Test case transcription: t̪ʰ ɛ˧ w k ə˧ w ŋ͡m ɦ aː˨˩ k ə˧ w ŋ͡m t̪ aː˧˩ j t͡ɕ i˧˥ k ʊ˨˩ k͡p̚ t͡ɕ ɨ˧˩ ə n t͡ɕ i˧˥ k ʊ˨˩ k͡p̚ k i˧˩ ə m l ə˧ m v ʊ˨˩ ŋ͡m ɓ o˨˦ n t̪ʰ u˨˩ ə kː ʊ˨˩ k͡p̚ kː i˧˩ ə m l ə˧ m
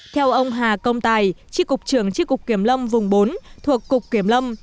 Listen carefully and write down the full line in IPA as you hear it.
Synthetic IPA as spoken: t̪ʰ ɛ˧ w ʔ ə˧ w ŋ͡m ɦ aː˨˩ k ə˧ w ŋ͡m t̪ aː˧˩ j t͡ɕ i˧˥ k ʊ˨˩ k͡p̚ t͡ɕ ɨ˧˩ ə ŋ t͡ɕ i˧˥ k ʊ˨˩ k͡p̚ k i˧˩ ə m l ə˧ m v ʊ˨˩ ŋ͡m ɓ o˨˦ n t̪ʰ u˨˩ ə kː ʊ˨˩ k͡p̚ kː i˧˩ ə m l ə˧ m

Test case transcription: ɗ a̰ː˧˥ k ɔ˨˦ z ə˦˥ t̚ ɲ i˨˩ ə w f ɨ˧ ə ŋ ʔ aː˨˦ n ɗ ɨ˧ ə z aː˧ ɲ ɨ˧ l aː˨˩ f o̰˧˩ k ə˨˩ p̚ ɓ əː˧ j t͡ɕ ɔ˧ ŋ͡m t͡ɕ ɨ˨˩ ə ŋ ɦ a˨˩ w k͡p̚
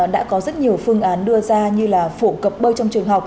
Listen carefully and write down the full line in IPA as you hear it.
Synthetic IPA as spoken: ɗ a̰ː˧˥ k ɔ˨˦ z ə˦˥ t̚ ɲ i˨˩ ə w f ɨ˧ ə ŋ ʔ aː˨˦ n ɗ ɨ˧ ə z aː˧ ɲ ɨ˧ l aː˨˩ f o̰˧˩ k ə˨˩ p̚ ɓ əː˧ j t͡ɕ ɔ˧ ŋ͡m t͡ɕ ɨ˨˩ ə ŋ ɦ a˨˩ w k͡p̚

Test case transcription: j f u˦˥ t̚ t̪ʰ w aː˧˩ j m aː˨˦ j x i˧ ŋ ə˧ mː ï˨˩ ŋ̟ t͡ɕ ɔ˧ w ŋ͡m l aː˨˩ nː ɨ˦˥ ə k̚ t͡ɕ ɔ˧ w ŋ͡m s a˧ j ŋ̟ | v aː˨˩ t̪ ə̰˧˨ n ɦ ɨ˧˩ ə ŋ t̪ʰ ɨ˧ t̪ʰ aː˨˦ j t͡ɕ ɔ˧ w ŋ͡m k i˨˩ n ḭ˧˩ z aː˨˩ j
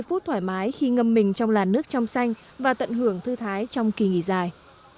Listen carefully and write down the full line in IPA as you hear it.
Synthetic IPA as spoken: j f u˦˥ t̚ t̪ʰ w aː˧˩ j m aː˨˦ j x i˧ ŋ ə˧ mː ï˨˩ ŋ̟ t͡ɕ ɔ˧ w ŋ͡m l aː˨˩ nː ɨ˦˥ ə k̚ t͡ɕ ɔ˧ w ŋ͡m s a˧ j ŋ̟ | v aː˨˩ t̪ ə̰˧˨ n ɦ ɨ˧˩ ə ŋ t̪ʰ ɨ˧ t̪ʰ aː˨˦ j t͡ɕ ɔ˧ w ŋ͡m k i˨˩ ŋ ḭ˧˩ z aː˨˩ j

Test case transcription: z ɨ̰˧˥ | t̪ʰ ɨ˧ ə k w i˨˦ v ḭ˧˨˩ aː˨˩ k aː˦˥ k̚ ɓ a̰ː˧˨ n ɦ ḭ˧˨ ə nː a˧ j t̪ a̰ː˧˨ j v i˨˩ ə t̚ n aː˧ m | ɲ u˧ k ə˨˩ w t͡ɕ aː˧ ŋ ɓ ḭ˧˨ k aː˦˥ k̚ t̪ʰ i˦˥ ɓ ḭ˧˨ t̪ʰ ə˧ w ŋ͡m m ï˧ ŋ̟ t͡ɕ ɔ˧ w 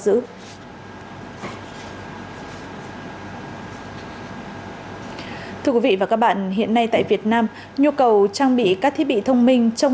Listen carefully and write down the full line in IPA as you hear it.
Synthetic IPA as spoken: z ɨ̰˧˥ | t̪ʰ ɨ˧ ə k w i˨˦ v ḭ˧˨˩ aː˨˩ k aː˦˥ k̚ ɓ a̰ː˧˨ n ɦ ḭ˧˨ ə nː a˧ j t̪ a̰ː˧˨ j v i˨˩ ə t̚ n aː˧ m | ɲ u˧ k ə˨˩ w t͡ɕ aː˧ ŋ ɓ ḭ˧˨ k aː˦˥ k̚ t̪ʰ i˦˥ ɓ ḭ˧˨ t̪ʰ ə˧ w ŋ͡m m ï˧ ŋ̟ t͡ɕ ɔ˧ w

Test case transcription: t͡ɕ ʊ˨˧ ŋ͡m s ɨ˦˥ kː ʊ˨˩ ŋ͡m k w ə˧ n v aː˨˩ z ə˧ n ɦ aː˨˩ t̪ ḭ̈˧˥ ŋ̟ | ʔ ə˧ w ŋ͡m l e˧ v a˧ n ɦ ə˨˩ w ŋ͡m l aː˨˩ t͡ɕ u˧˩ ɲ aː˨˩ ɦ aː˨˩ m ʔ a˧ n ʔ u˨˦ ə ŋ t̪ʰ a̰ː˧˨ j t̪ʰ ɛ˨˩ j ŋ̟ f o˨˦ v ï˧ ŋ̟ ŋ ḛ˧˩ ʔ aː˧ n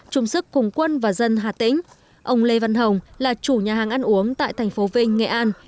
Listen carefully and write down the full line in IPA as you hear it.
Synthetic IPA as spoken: t͡ɕ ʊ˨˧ ŋ͡m s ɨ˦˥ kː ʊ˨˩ ŋ͡m k w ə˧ n v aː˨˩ z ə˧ n ɦ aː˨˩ t̪ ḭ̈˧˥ ŋ̟ | ʔ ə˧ w ŋ͡m l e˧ v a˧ n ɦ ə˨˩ w ŋ͡m l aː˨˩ t͡ɕ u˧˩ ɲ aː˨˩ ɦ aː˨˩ ŋ ʔ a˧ n ʔ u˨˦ ə ŋ t̪ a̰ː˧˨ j t̪ʰ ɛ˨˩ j ŋ̟ f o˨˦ v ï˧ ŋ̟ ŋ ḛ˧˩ ʔ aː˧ n

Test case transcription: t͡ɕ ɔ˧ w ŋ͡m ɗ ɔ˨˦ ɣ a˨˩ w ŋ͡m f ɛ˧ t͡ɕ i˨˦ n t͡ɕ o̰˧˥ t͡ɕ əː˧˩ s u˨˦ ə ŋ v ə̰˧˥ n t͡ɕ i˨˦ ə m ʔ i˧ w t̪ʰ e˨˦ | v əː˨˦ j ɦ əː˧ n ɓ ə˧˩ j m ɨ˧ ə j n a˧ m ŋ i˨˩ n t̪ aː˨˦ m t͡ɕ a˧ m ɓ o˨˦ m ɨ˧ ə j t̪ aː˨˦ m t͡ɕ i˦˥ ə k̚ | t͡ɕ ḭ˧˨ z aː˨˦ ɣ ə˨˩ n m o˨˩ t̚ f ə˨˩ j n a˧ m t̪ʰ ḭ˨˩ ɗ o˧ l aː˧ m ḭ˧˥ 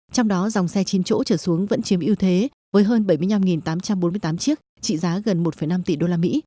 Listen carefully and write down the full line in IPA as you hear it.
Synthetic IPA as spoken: t͡ɕ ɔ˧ w ŋ͡m ɗ ɔ˨˦ z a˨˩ w ŋ͡m s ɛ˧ t͡ɕ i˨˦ n t͡ɕ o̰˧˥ t͡ɕ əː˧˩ s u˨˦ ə ŋ v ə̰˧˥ n t͡ɕ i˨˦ ə m ʔ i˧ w t̪ʰ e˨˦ | v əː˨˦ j ɦ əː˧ n ɓ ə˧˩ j m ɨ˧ ə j n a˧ m ŋ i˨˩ n t̪ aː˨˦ m t͡ɕ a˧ m ɓ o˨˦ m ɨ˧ ə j t̪ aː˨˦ m t͡ɕ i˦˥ ə k̚ | t͡ɕ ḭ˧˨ z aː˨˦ ɣ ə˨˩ n m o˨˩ t̚ f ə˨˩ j n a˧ m t̪ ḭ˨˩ ɗ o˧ l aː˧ m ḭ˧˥

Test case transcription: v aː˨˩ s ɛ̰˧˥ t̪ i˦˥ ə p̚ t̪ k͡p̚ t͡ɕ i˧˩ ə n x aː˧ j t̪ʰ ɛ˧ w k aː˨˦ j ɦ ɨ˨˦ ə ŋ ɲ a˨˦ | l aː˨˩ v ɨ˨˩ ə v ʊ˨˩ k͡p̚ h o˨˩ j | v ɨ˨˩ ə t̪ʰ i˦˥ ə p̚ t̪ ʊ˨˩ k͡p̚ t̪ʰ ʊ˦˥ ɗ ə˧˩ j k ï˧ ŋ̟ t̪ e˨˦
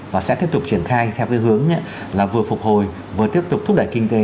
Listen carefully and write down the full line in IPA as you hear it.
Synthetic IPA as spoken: v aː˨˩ s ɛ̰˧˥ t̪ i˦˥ ə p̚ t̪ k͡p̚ t͡ɕ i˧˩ ə n x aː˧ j t̪ʰ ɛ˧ w k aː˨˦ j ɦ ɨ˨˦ ə ŋ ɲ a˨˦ | l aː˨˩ v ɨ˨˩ ə f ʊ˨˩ k͡p̚ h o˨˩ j | v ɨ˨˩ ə t̪ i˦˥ ə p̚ t̪ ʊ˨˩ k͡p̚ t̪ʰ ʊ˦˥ ɗ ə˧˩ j k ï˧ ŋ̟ t̪ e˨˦

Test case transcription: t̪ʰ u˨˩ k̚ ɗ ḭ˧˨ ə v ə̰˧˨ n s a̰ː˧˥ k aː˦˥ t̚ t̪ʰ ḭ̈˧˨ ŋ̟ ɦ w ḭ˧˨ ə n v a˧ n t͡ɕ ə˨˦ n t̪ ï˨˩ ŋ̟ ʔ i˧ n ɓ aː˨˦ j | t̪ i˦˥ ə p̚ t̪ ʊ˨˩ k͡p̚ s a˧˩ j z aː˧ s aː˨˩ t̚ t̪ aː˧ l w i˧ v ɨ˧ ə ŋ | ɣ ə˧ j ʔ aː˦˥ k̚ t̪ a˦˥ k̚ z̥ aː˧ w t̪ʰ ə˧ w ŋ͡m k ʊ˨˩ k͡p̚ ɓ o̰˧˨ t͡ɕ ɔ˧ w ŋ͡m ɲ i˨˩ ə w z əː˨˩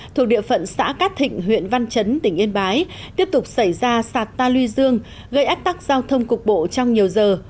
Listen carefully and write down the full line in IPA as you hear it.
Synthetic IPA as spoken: t̪ʰ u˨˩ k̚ ɗ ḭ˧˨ ə f ə̰˧˨ n s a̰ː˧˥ k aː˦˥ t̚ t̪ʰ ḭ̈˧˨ ŋ̟ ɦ w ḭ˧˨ ə n v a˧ n t͡ɕ ə˨˦ n t̪ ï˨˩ ŋ̟ ʔ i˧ n ɓ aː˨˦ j | t̪ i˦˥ ə p̚ t̪ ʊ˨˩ k͡p̚ s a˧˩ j z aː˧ s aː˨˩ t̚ t̪ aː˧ l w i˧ z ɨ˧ ə ŋ | ɣ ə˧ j ʔ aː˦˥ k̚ t̪ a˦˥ k̚ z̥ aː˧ w t̪ʰ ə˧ w ŋ͡m k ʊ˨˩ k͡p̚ ɓ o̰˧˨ t͡ɕ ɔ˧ w ŋ͡m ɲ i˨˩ ə w z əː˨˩

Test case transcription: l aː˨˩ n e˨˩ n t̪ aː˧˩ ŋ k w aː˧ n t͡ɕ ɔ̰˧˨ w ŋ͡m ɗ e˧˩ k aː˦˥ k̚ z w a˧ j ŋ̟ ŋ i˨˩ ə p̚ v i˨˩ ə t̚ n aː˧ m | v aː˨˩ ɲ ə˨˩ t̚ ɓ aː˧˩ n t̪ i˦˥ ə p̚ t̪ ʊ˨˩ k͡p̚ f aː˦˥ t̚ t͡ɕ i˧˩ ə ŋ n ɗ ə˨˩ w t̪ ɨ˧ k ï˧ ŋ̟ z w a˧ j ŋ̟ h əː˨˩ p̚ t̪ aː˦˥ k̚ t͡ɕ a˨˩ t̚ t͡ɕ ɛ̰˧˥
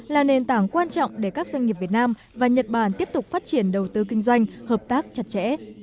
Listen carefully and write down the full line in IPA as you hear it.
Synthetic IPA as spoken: l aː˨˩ n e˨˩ n t̪ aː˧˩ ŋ k w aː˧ n t͡ɕ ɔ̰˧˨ w ŋ͡m ɗ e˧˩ k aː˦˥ k̚ z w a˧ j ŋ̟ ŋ i˨˩ ə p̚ v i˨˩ ə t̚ n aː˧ m | v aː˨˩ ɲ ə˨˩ t̚ ɓ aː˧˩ n t̪ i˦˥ ə p̚ t̪ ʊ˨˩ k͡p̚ f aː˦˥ t̚ t͡ɕ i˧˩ ə n ɗ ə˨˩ w t̪ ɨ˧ k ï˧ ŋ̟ z w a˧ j ŋ̟ h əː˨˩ p̚ t̪ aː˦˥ k̚ t͡ɕ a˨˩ t̚ t͡ɕ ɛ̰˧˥

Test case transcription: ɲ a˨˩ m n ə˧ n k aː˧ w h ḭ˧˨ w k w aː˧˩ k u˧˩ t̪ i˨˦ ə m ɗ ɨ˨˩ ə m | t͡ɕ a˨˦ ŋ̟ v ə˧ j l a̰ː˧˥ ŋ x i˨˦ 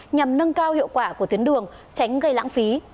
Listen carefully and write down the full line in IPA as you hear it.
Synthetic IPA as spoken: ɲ a˨˩ m n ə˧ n k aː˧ w h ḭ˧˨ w k w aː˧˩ k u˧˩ t̪ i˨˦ ə n ɗ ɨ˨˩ ə ŋ | t͡ɕ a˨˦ ŋ̟ ɣ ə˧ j l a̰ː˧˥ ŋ f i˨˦

